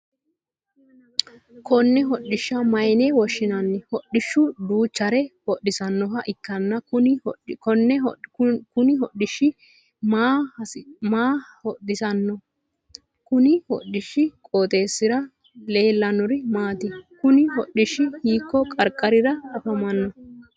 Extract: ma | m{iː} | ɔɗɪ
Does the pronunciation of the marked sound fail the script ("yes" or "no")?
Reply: yes